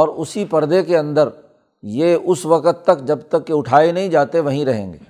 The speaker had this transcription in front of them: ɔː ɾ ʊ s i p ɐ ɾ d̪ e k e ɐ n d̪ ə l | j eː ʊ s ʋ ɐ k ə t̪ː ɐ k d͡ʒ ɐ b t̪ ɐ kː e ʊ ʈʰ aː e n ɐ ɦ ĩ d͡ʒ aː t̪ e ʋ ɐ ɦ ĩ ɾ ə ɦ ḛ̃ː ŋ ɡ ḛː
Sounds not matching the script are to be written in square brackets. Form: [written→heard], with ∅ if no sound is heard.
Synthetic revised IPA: ɔː ɾ ʊ s i p ɐ ɾ d̪ e k e [ɐ→ɐ̃] n d̪ ə [l→ɾ] | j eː ʊ s ʋ ɐ k ə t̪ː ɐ k d͡ʒ ɐ b t̪ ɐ kː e ʊ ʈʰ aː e n ɐ ɦ ĩ d͡ʒ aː t̪ e ʋ ɐ ɦ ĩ ɾ [ə→ɐ] ɦ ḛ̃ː ŋ ɡ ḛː